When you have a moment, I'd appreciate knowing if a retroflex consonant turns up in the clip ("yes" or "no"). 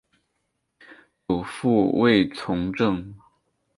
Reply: yes